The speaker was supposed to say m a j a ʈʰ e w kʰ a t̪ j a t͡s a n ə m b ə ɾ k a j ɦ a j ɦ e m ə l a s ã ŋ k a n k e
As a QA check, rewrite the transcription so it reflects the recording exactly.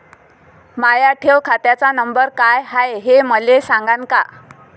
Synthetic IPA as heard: m a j a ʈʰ e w kʰ a t̪ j a t͡s a n ə m b ə ɾ k a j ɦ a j ɦ e m ə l e s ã ŋ ɡ a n k a